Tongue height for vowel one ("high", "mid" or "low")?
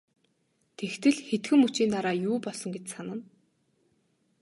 mid